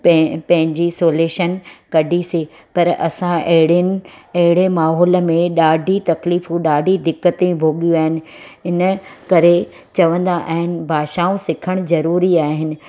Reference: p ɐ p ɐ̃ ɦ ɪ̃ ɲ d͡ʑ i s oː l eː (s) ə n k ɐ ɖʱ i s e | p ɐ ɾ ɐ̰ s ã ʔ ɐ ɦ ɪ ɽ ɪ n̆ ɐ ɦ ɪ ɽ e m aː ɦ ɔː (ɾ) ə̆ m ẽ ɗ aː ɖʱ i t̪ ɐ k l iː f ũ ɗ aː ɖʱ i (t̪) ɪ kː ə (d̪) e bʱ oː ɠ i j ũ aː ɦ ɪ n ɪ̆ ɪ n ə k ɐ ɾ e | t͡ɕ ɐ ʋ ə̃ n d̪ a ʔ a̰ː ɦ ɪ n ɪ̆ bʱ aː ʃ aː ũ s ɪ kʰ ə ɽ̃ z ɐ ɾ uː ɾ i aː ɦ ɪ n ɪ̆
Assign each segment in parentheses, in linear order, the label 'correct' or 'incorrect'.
incorrect, incorrect, incorrect, incorrect

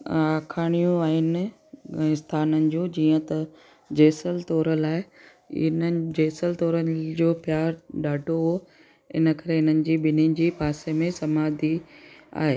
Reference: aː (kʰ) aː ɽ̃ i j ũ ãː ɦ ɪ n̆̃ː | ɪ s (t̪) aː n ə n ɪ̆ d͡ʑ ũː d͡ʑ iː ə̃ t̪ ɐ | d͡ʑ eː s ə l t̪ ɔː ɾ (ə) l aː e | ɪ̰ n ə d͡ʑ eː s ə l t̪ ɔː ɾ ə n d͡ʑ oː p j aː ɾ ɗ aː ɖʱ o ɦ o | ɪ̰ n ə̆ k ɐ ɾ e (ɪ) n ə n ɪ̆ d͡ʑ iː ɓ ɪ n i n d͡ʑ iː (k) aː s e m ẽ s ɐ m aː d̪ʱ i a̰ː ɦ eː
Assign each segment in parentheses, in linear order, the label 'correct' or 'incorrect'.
correct, incorrect, correct, correct, incorrect

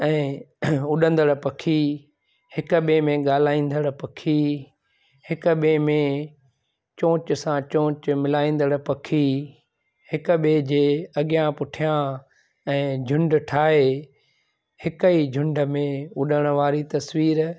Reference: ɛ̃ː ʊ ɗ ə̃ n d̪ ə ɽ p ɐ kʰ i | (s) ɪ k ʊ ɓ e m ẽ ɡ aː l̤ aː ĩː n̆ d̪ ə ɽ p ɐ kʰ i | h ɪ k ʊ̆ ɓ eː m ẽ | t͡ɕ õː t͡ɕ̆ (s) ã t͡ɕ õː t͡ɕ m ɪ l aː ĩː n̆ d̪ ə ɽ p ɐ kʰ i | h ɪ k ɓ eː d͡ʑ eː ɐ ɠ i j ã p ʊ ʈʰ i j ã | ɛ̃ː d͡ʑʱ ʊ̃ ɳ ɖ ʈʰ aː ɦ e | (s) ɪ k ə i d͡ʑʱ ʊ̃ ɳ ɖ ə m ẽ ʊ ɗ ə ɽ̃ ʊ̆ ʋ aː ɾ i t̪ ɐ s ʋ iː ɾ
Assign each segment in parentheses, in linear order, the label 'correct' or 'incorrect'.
incorrect, correct, incorrect

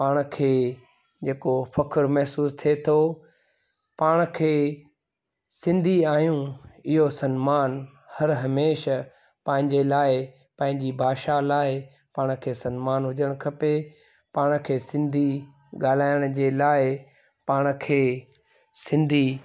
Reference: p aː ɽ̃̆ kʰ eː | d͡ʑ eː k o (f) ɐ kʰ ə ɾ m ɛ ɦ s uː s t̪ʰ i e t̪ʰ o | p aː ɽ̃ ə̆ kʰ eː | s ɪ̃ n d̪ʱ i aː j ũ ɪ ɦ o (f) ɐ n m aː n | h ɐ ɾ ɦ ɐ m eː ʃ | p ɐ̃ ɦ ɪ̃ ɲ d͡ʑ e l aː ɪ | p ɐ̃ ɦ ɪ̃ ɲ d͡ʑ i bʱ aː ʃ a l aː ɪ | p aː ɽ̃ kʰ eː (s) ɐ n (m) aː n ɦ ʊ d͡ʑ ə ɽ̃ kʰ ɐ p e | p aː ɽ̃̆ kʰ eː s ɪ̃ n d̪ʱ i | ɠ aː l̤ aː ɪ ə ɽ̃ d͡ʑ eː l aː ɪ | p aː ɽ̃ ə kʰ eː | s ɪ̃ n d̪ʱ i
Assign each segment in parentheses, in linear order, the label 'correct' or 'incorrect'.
correct, incorrect, correct, correct

